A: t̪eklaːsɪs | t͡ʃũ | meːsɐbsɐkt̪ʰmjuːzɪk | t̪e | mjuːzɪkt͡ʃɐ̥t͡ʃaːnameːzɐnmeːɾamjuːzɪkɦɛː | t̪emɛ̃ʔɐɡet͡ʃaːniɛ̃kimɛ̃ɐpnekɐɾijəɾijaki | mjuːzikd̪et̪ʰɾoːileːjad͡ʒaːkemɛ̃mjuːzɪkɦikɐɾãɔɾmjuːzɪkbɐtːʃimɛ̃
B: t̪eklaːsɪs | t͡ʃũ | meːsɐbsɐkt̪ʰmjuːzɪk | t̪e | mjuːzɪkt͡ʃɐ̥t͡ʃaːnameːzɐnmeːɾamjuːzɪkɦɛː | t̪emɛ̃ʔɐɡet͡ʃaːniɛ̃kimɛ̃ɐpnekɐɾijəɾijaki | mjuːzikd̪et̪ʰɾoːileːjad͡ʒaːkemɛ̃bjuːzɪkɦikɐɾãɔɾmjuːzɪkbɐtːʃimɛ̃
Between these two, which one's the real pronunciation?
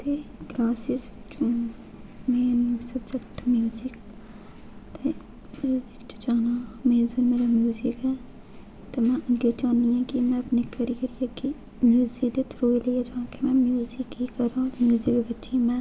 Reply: A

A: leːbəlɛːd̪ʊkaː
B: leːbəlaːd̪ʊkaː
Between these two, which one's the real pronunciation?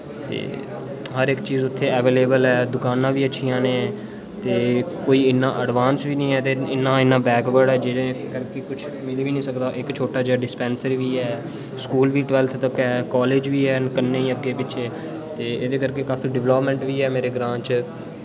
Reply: A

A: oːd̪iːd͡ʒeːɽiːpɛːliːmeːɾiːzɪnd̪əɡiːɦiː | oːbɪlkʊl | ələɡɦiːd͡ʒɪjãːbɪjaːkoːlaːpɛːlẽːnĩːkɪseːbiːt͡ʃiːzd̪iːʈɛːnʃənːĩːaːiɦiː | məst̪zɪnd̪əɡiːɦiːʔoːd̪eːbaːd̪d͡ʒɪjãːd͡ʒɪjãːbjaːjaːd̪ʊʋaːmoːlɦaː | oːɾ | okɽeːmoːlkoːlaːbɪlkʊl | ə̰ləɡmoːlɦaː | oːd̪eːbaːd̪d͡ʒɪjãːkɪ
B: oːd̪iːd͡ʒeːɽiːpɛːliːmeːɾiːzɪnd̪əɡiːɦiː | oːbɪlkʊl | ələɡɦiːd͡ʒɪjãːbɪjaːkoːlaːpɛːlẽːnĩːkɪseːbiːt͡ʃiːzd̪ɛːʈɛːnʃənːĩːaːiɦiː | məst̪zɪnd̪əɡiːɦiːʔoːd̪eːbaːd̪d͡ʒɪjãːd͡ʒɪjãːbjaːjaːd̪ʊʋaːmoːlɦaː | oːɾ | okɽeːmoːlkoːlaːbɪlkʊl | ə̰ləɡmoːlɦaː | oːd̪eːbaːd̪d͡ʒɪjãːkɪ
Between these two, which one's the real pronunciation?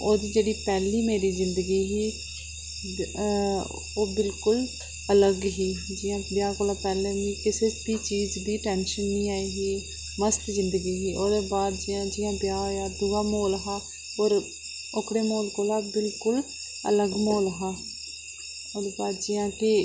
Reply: A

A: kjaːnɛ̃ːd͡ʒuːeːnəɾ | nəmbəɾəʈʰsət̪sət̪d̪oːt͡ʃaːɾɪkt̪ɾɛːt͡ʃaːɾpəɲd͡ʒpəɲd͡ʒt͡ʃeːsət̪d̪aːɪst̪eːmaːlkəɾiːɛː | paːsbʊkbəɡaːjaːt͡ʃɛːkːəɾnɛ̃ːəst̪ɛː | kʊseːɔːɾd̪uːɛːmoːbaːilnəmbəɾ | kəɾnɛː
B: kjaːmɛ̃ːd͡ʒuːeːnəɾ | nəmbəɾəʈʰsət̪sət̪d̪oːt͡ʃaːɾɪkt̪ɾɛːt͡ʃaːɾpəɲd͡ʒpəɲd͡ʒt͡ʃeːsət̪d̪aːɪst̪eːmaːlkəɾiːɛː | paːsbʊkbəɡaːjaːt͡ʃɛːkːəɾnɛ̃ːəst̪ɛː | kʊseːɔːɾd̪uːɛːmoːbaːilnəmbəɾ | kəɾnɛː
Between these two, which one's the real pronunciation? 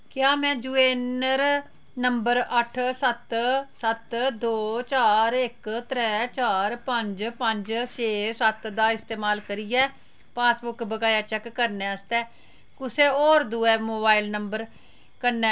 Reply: B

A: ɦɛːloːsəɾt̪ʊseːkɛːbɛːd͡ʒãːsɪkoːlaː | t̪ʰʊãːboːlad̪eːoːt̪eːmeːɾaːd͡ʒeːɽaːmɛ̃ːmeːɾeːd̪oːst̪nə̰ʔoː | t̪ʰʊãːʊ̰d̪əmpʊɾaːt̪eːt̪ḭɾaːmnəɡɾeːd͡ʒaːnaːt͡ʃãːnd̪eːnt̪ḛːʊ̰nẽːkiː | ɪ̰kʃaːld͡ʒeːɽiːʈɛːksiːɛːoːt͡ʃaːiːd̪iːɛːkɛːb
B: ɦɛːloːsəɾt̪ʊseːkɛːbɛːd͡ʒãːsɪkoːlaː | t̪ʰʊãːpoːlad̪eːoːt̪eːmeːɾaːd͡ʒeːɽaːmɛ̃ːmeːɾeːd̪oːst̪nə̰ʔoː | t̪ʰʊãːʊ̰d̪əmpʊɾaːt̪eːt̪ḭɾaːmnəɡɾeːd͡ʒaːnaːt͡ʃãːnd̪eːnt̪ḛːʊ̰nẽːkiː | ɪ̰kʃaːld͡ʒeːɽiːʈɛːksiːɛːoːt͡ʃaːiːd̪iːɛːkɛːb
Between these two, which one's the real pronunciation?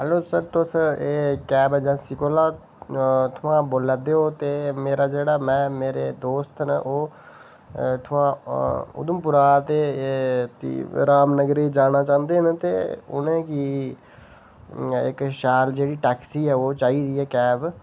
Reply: A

